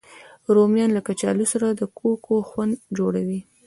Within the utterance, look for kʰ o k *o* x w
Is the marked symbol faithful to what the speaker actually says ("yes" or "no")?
yes